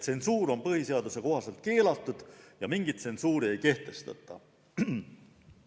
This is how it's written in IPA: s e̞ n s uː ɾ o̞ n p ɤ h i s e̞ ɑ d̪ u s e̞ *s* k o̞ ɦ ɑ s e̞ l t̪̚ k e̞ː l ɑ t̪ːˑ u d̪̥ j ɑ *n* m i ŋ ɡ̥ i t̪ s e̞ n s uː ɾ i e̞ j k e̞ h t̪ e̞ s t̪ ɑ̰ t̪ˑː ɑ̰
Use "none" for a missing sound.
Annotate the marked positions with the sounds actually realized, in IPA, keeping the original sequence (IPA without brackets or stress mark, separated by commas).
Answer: none, none